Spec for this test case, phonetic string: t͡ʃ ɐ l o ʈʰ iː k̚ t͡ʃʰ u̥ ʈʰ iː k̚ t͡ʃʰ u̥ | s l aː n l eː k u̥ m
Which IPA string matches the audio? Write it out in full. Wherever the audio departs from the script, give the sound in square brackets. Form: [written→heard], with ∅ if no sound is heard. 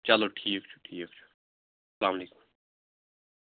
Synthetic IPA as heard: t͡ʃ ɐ l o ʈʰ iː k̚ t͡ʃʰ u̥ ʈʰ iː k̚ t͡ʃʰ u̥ | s l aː [n→m] l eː k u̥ m